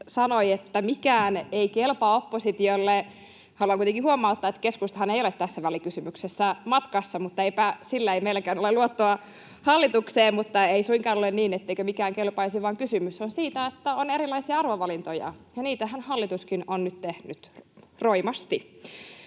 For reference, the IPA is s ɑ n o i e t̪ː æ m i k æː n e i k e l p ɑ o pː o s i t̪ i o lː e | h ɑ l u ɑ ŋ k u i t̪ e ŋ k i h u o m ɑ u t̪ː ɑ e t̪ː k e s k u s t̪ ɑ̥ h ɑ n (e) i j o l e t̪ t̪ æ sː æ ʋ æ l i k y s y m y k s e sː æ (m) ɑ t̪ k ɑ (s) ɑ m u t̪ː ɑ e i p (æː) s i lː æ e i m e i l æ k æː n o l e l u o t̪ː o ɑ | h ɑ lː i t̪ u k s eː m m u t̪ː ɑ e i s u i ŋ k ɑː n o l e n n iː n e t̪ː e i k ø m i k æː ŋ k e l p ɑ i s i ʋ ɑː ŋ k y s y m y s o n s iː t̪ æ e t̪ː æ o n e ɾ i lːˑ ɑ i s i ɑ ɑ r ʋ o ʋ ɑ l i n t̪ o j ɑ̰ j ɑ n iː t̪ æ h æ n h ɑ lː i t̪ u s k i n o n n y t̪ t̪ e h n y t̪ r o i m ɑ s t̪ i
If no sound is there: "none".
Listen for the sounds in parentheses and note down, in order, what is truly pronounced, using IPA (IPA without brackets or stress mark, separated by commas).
e, m, sː, æ